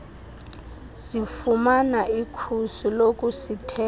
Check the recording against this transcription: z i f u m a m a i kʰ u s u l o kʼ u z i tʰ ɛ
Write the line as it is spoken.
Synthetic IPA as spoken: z i f u m a n a i kʰ u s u l o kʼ u s i tʰ ɛ